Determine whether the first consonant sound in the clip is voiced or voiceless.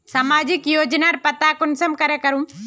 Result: voiceless